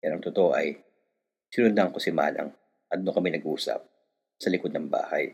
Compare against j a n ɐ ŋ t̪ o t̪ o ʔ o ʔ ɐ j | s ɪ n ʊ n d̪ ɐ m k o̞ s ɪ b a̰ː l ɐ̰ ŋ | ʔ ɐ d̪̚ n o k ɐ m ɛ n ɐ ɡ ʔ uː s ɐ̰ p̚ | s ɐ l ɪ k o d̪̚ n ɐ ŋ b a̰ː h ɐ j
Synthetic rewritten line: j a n ɐ ŋ t̪ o t̪ o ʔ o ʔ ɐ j | s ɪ n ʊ n d̪ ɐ ŋ k o̞ s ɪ m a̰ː l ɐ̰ ŋ | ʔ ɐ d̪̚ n o k ɐ m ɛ n ɐ ɡ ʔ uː s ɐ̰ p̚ | s ɐ l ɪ k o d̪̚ n ɐ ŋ b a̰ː h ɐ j